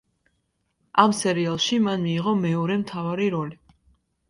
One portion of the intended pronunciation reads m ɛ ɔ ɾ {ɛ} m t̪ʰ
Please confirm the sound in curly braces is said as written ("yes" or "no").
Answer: yes